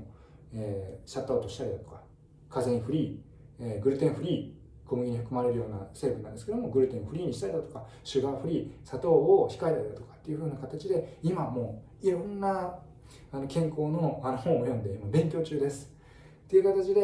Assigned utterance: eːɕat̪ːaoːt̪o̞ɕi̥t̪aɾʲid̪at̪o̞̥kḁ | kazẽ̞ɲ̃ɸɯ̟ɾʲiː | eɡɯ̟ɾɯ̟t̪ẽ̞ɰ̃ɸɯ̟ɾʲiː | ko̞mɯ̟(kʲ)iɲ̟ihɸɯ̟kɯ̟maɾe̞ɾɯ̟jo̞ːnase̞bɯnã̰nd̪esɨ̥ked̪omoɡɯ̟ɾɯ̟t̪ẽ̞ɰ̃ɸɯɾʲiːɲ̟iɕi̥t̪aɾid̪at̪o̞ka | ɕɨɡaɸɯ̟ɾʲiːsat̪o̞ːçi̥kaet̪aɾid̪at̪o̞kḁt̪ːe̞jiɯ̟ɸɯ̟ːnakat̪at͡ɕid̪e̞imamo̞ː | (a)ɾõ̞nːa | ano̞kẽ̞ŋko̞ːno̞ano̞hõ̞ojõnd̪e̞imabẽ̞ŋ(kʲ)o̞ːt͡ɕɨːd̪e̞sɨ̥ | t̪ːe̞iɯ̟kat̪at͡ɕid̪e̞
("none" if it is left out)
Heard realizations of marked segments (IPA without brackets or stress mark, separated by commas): ɡʲ, i, kʲ